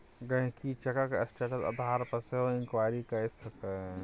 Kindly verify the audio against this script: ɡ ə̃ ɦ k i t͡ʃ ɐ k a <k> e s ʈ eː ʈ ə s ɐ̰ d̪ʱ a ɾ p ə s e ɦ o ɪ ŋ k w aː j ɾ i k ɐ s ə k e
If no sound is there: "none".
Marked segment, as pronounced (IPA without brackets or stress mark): k